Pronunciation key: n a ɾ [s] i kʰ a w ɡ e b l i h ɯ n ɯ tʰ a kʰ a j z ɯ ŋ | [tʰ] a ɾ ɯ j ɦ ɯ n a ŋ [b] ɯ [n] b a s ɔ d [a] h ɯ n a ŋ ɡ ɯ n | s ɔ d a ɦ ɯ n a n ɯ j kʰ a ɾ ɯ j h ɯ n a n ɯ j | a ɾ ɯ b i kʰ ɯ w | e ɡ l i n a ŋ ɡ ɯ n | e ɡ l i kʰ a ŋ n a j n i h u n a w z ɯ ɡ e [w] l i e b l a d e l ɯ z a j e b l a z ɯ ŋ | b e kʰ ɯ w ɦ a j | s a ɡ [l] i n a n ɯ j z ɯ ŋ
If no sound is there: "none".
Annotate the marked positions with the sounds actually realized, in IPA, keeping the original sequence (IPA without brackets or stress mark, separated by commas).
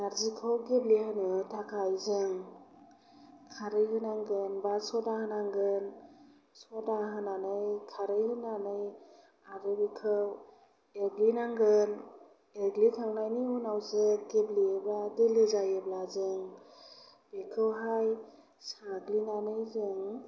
z, kʰ, ɡ, n, a, b, l